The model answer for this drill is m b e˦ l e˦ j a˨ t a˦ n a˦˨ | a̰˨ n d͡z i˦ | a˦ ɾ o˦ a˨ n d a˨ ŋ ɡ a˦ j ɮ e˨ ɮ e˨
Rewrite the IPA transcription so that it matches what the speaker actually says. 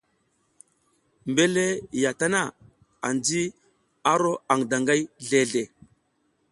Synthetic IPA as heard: m b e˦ l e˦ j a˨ t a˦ n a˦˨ | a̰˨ n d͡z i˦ | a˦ ɾ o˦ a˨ ŋ d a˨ ŋ ɡ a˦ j ɮ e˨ ɮ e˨

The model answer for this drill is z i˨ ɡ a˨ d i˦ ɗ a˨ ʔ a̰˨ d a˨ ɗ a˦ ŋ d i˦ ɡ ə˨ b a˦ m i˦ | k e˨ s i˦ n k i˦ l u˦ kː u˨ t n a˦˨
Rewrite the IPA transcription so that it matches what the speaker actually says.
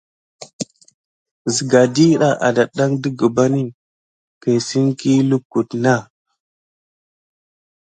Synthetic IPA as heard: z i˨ ɡ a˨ d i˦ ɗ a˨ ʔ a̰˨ d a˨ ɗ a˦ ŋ d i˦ ɡ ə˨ b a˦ n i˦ | k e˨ s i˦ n k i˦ l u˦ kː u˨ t n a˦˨

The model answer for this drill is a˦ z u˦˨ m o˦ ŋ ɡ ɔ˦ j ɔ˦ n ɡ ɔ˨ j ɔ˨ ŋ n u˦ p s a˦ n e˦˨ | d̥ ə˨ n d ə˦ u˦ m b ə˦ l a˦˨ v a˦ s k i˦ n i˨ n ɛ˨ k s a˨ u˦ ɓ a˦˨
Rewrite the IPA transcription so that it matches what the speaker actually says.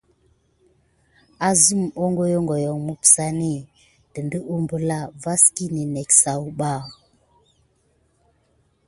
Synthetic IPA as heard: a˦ z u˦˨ m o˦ ŋ ɡ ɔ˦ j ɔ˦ ŋ ɡ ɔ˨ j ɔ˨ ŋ m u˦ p s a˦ n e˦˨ | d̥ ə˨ n d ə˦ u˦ m b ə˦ l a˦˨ v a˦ s k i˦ n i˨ n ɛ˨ k s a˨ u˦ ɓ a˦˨

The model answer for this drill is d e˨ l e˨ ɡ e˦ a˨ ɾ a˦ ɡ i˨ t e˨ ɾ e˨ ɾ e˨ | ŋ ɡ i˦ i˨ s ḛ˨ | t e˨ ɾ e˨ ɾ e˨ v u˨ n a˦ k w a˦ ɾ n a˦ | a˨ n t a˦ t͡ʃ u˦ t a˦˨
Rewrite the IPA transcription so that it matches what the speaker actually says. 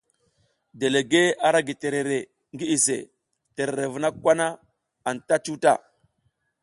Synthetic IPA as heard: d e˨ l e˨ ɡ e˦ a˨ ɾ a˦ ɡ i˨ t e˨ ɾ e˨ ɾ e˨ | ŋ ɡ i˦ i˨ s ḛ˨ | t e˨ ɾ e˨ ɾ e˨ v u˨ n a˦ k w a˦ n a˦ | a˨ n t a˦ t͡ʃ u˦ t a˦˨

